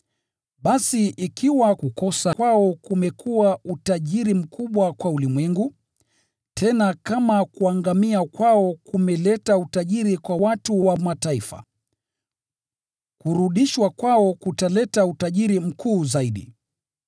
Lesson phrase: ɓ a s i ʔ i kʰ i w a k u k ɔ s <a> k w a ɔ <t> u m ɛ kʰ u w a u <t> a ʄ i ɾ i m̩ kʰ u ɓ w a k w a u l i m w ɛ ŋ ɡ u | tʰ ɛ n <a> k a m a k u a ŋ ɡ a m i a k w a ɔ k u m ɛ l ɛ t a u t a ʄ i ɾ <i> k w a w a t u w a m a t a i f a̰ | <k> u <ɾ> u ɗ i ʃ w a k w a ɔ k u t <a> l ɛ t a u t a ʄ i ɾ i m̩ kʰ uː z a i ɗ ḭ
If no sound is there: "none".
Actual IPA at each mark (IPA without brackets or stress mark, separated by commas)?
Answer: a, k, t, a, i, k, ɾ, a